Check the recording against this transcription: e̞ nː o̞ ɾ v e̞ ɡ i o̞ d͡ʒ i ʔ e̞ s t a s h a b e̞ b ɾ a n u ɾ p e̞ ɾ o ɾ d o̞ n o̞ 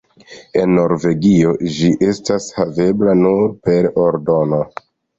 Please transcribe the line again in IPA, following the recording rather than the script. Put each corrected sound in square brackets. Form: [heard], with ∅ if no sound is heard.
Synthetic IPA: e̞ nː o̞ ɾ v e̞ ɡ i o̞ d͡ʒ i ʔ e̞ s t a s h a [v] e̞ b [l] a n u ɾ p e̞ ɾ o ɾ d o̞ n o̞